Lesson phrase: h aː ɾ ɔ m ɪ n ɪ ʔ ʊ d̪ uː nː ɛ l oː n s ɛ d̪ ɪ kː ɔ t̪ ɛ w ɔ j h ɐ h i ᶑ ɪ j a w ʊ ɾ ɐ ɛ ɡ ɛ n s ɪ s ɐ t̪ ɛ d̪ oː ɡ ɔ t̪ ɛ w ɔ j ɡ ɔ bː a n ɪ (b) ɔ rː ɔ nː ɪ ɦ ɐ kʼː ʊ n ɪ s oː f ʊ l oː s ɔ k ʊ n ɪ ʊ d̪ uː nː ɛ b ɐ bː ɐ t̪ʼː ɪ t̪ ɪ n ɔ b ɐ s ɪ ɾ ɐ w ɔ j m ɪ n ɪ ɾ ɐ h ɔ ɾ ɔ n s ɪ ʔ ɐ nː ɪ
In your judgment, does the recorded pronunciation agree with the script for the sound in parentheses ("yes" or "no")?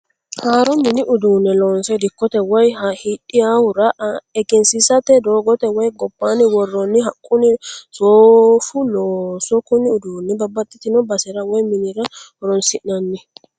no